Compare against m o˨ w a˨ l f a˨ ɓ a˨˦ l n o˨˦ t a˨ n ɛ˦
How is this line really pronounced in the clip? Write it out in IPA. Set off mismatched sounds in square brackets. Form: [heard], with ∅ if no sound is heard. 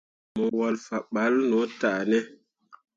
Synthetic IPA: m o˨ w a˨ l f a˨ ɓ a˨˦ l n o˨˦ t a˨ n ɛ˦

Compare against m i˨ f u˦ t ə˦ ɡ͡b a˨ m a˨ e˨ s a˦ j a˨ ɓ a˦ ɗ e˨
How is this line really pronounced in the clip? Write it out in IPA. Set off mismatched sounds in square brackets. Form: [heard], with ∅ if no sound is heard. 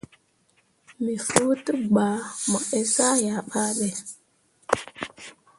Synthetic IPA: m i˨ f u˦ t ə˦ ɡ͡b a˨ m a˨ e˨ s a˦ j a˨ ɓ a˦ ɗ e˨

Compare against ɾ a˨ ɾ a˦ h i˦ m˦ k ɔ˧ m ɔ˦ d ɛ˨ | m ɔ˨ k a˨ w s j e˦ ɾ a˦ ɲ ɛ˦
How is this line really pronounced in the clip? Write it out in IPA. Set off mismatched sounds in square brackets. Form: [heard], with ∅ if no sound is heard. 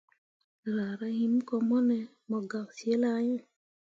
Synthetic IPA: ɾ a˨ ɾ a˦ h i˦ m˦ k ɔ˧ m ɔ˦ [n] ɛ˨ | m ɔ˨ [ɡ] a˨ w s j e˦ [l] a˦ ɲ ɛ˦

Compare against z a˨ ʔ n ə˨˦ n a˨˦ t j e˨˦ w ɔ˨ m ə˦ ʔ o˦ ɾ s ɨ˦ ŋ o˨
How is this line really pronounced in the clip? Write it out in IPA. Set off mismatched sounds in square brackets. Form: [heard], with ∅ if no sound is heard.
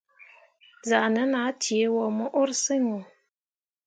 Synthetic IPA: z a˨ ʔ n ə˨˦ n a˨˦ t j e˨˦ w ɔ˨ m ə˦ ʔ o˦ ɾ s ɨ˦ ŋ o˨

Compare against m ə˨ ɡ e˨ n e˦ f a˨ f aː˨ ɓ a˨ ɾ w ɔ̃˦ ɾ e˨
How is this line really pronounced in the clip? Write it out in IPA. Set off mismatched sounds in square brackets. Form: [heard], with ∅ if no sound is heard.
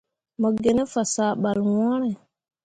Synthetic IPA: m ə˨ ɡ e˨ n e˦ f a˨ [s] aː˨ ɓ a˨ [l] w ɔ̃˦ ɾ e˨

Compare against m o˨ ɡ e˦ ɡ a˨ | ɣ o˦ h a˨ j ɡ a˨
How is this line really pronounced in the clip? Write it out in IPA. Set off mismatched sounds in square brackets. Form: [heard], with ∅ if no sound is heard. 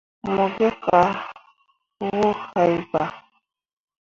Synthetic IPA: m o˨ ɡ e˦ [k] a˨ | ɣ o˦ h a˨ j [b] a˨

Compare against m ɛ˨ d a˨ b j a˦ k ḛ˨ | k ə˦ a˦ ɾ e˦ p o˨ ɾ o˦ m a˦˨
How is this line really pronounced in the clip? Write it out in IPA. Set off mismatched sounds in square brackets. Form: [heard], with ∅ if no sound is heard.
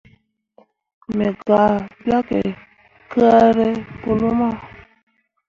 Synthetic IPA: m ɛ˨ [ɡ] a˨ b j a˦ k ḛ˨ | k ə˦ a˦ ɾ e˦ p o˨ [l] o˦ m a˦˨

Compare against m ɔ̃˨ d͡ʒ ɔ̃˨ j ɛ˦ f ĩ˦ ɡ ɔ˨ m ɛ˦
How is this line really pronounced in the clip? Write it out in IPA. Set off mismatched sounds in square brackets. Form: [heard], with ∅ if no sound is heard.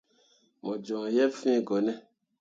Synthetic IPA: m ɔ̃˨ d͡ʒ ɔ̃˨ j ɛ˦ f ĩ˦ ɡ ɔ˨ [n] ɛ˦

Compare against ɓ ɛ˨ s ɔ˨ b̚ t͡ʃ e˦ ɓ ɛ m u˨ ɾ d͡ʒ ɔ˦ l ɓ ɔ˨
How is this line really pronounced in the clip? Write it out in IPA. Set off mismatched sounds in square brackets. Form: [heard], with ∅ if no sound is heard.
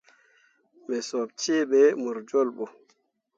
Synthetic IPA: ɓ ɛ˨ s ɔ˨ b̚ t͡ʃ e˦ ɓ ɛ m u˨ ɾ d͡ʒ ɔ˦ l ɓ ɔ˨

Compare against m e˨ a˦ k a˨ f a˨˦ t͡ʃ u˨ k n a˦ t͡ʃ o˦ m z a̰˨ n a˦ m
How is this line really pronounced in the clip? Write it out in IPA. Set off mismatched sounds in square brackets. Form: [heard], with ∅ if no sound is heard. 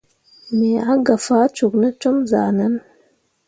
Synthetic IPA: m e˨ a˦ [ɡ] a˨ f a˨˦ t͡ʃ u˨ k n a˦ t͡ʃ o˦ m z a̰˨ n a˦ [n]

